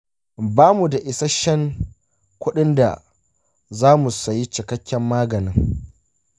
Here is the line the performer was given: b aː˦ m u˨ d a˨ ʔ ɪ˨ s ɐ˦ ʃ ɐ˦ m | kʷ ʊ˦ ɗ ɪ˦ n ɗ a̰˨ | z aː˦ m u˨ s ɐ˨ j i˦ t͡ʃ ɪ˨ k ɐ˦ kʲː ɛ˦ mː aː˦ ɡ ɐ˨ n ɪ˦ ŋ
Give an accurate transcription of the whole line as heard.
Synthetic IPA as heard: b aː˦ m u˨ d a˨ ʔ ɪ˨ s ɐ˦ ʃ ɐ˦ ŋ | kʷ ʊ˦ ɗ ɪ˦ n d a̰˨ | z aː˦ m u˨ s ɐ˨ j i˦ t͡ʃ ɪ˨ k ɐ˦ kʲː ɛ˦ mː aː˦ ɡ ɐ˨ n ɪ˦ ŋ